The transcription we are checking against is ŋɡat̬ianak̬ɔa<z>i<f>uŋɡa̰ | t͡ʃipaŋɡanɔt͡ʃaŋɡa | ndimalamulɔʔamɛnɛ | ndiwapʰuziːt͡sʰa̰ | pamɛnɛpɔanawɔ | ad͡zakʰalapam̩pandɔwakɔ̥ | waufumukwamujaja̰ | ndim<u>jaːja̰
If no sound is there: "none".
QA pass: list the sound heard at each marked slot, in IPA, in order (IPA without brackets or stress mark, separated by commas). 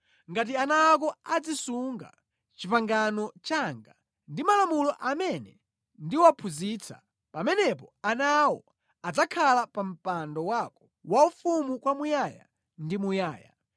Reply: d͡z, s, u